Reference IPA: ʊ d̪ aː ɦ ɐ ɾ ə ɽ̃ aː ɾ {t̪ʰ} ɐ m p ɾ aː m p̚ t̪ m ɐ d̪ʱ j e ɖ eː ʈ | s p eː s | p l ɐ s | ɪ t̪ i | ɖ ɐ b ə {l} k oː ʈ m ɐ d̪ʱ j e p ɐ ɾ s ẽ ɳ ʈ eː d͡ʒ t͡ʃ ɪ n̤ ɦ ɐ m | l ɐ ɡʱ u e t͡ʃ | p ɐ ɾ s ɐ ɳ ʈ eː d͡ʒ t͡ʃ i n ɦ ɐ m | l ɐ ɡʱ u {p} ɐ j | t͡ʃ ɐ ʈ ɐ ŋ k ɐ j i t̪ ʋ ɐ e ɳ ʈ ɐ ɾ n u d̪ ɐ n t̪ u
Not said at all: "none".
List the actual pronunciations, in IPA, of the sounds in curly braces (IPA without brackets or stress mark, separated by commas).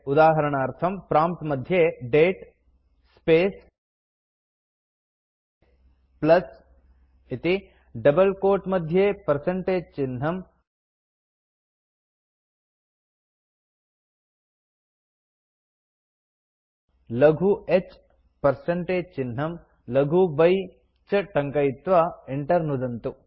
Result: t̪ʰ, l, b